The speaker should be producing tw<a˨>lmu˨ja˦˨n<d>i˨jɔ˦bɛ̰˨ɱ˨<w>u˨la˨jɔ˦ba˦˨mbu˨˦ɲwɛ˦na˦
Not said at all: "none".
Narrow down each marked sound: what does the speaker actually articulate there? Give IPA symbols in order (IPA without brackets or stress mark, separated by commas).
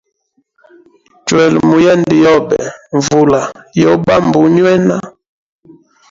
ɛ˨, d, v